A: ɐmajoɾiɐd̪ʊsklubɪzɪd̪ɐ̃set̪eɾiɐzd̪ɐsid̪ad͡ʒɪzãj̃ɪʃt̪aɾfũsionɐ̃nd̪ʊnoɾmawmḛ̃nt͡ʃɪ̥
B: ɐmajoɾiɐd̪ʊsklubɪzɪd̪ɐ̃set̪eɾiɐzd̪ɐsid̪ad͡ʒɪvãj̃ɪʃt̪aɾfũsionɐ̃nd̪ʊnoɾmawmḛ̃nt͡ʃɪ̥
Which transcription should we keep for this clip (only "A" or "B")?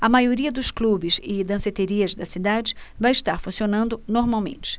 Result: B